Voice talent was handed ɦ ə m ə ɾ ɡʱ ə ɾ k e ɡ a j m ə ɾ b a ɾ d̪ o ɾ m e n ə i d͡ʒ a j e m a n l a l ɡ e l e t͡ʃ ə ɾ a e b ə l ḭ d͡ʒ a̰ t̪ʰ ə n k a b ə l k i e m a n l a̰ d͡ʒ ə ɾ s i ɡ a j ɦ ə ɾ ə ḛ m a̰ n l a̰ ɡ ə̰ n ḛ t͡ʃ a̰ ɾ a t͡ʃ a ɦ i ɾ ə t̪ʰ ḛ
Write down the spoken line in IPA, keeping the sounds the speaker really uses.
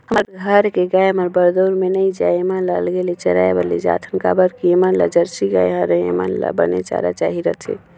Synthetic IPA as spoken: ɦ ə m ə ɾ ɡʱ ə ɾ k e ɡ a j m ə ɾ b ə ɾ d̪ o ɾ m e n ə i d͡ʒ a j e m a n l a l ɡ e l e t͡ʃ ə ɾ a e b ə l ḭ d͡ʒ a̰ t̪ʰ ə n k a b ə ɾ k i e m a n l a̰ d͡ʒ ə ɾ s i ɡ a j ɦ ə ɾ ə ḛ m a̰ n l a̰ b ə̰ n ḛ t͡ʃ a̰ ɾ a t͡ʃ a ɦ i ɾ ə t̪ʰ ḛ